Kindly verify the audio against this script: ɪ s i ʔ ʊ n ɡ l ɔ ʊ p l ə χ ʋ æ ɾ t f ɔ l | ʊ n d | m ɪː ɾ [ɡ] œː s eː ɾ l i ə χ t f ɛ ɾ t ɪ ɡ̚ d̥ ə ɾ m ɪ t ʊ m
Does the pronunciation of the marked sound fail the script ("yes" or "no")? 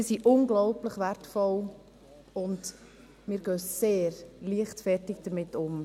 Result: no